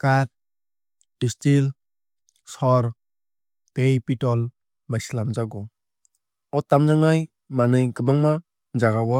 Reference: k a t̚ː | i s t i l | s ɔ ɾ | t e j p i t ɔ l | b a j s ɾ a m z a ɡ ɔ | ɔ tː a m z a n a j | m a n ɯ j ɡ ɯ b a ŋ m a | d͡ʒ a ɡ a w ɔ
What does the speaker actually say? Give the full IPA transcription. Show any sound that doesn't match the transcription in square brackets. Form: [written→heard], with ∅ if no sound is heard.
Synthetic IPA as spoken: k a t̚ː | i s t i l | s ɔ ɾ | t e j p i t ɔ l | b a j s [ɾ→l] a m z a ɡ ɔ | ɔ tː a m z a [n→ŋ] a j | m a n ɯ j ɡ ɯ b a ŋ m a | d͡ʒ a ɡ a w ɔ